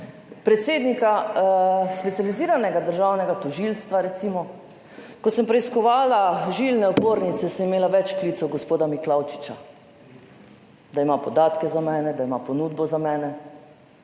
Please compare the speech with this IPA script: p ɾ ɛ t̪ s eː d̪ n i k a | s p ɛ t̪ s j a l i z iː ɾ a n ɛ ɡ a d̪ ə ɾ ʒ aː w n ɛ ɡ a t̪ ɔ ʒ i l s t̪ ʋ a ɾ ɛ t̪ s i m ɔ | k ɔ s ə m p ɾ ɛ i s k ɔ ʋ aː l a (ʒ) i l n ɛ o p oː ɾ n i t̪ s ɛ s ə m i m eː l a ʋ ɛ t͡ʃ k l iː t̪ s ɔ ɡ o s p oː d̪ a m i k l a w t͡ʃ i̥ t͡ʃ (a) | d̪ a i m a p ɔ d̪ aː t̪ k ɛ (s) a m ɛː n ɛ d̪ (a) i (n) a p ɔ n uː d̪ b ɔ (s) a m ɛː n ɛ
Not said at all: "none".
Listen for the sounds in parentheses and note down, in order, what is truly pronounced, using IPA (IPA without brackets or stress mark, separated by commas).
ʒ, a, z, a, m, z